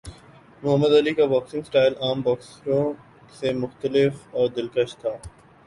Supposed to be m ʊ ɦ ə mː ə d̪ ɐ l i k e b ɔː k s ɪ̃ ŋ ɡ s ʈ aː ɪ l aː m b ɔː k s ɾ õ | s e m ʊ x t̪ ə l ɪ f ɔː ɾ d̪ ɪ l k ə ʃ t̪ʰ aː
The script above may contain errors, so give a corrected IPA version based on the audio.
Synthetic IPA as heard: m ʊ ɦ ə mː ə d̪ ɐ l i k a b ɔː k s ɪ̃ ŋ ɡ s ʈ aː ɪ l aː m b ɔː k s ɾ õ | s e m ʊ x t̪ ə l ɪ f ɔː ɾ d̪ ɪ l k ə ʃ t̪ʰ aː